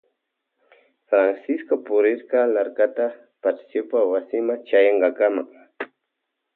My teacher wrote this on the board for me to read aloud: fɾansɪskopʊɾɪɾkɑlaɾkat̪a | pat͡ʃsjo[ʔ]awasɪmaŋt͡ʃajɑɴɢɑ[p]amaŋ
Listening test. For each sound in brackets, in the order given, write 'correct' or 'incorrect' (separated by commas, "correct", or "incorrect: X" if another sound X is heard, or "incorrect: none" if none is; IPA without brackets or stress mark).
incorrect: p, incorrect: k